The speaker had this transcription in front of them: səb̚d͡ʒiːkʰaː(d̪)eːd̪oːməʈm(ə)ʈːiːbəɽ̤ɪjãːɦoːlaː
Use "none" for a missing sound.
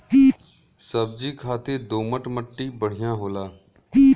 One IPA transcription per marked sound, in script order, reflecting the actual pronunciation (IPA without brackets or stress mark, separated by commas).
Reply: t̪, ə